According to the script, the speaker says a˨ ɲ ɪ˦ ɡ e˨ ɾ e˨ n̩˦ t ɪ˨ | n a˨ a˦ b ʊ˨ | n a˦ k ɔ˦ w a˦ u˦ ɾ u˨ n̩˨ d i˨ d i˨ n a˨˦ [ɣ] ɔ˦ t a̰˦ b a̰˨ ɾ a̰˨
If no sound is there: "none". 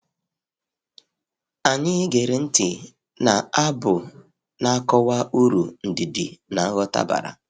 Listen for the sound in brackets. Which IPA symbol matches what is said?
ɣ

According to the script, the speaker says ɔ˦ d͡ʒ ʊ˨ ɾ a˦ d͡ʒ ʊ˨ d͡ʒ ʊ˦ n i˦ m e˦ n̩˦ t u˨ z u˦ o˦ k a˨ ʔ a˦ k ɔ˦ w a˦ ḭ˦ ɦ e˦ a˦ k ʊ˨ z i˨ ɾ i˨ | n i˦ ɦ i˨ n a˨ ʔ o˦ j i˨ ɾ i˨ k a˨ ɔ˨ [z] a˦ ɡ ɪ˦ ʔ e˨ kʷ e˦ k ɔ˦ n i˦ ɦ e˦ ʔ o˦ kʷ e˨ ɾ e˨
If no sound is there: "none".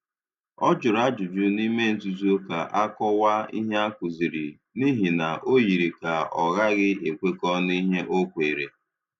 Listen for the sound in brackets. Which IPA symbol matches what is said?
ɣ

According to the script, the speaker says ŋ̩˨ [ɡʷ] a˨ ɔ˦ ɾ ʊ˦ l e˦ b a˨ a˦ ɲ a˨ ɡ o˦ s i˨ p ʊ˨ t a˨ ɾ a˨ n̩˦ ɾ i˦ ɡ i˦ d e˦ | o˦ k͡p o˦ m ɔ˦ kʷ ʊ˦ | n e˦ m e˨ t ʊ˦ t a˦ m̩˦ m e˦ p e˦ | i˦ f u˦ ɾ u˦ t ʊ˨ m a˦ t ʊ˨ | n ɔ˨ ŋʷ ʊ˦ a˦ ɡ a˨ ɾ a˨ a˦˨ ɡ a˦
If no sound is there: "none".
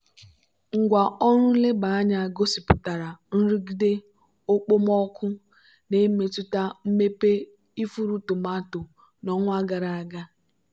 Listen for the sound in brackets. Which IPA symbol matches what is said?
ɡʷ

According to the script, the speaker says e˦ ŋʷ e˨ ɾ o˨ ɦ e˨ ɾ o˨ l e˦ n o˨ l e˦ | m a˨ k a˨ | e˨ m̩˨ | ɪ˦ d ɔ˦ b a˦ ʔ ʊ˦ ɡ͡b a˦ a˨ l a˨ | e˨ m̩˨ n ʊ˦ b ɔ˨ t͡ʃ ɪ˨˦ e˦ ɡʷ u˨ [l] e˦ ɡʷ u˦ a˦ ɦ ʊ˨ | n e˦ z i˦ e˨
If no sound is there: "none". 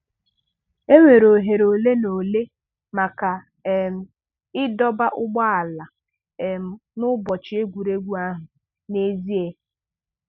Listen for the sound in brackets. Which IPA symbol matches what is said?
ɾ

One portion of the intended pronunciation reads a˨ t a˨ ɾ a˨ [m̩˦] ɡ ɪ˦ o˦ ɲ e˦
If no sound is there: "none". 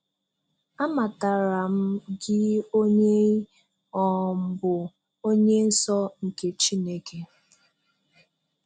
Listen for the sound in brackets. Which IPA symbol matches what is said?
m̩˦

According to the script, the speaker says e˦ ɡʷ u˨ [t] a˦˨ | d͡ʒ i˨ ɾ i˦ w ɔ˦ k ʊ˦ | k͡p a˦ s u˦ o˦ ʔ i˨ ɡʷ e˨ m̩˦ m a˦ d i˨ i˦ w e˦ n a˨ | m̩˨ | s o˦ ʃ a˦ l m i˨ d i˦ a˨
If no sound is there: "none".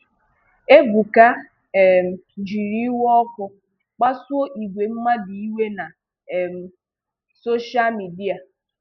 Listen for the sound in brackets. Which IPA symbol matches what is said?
k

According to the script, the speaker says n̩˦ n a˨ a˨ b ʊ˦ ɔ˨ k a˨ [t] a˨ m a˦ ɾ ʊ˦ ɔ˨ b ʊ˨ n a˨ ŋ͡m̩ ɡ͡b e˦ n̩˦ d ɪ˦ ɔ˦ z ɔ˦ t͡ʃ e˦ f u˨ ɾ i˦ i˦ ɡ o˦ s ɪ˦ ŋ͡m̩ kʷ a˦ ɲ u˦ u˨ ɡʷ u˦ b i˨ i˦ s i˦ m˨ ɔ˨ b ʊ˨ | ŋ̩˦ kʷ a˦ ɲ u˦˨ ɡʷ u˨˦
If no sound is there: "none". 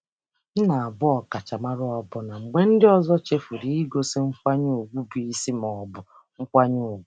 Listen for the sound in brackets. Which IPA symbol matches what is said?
t͡ʃ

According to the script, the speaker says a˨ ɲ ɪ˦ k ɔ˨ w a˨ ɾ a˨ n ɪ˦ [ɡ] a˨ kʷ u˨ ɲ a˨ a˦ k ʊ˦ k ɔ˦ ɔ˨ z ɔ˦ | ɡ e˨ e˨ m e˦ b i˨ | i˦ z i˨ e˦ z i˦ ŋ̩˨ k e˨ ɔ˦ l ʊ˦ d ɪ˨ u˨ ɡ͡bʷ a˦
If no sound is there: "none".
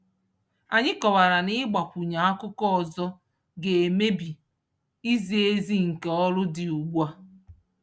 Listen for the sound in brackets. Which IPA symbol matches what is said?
ɡ͡b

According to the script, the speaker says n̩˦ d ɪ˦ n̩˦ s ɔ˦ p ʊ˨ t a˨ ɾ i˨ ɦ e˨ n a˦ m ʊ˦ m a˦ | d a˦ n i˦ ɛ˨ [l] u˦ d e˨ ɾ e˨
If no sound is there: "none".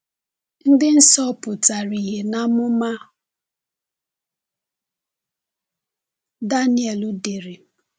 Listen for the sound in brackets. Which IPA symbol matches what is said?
l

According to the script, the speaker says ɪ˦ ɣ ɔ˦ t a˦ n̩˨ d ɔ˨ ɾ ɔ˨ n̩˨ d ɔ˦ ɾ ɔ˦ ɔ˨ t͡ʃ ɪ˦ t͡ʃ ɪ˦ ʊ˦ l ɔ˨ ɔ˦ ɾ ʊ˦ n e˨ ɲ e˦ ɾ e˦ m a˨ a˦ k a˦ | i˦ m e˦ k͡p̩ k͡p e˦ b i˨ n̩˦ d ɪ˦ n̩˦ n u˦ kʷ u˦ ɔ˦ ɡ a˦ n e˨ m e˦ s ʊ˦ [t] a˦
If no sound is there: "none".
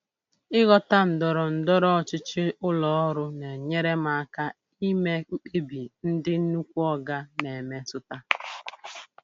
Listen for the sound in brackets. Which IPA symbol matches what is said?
t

